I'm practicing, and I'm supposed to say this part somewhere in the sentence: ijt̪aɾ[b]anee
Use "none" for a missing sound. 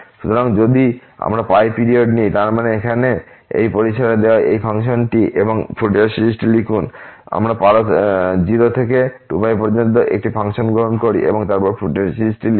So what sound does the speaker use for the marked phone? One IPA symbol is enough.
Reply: m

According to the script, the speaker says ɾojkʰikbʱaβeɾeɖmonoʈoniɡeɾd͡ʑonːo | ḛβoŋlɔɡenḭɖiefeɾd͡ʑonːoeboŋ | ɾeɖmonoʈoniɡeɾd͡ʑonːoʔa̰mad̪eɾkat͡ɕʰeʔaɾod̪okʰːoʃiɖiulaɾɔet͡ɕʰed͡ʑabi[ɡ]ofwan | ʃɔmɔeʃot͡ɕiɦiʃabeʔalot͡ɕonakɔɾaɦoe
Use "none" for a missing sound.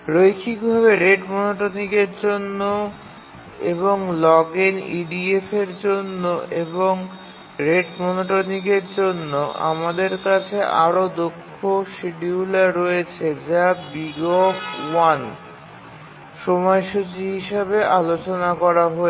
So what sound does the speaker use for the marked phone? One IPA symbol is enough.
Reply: ɡ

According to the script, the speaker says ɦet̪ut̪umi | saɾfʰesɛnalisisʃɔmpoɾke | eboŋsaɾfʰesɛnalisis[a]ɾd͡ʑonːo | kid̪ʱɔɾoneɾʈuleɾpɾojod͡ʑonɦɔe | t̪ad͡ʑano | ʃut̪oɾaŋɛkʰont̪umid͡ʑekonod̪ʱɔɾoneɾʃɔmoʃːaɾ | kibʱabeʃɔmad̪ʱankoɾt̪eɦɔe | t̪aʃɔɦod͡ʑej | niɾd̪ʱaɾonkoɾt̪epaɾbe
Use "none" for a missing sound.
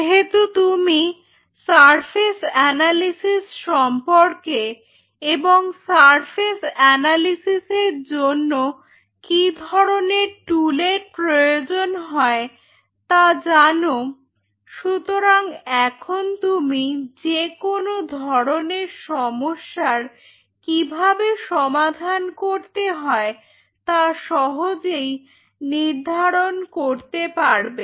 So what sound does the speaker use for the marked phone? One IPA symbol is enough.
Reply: e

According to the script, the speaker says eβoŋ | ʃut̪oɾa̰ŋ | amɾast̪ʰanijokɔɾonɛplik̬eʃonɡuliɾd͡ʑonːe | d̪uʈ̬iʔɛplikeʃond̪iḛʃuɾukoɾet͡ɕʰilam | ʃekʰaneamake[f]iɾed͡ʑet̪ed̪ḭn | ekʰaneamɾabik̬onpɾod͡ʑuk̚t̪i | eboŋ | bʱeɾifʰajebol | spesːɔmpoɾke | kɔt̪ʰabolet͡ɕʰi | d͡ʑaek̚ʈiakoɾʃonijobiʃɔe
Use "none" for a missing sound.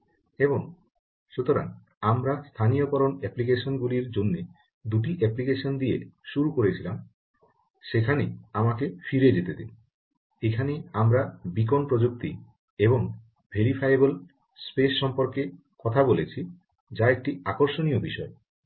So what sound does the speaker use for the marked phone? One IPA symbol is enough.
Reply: f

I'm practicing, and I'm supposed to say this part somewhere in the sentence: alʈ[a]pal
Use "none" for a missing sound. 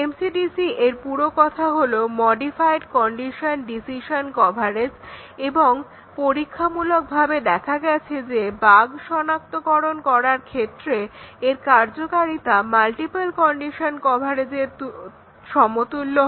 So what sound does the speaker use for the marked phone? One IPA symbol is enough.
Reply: i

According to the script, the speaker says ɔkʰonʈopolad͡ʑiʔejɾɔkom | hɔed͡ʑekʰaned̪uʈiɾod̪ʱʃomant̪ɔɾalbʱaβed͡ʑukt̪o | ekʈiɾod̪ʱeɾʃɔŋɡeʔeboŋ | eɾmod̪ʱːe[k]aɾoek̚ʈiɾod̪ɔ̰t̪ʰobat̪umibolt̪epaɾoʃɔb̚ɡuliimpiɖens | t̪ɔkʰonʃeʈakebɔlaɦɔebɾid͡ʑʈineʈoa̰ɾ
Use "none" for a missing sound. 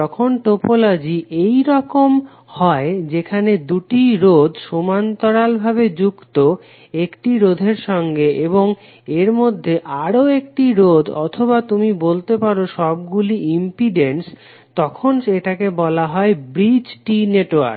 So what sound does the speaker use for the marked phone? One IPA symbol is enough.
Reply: ʔ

